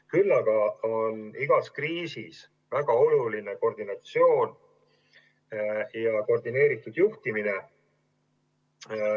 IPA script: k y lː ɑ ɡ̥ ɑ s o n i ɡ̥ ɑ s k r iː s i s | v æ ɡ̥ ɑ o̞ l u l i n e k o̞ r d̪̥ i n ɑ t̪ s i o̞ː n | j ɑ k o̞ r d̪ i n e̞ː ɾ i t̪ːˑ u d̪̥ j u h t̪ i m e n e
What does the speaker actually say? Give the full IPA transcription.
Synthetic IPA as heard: k y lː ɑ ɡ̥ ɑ o n i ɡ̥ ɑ s k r iː s i s | v æ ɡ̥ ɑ o̞ l u l i n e k o̞ r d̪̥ i n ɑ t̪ s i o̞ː n | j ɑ k o̞ r d̪ i n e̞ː ɾ i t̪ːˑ u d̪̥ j u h t̪ i m i n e